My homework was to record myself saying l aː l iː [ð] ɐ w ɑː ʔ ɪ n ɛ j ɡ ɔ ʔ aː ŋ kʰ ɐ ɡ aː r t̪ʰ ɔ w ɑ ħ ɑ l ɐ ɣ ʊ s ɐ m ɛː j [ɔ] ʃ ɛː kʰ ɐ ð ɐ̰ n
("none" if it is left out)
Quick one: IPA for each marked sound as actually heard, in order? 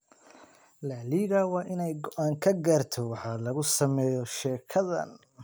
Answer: ɣ, ɔ

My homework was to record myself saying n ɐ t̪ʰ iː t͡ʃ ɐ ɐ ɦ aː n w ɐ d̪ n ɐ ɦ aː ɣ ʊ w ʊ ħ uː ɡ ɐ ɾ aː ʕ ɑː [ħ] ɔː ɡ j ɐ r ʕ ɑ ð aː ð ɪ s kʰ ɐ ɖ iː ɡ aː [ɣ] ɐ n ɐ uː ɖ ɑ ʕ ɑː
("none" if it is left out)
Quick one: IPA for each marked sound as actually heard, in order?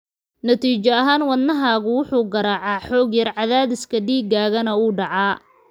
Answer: ħ, ɣ

